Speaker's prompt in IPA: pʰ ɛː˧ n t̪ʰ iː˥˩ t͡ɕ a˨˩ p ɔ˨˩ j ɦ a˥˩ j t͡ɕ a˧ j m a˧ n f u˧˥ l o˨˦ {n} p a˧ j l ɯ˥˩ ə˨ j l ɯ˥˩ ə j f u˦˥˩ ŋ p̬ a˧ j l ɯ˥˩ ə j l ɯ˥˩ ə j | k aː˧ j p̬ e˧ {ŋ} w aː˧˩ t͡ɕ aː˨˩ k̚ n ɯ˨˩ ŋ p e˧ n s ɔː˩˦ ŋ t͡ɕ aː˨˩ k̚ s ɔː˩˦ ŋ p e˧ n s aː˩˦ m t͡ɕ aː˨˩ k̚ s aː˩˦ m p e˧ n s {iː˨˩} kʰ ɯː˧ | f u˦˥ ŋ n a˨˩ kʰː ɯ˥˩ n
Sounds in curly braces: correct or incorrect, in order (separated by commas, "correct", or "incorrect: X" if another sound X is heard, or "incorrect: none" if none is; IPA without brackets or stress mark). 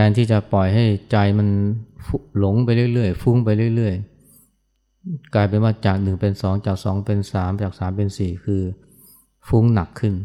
incorrect: ŋ, incorrect: n, correct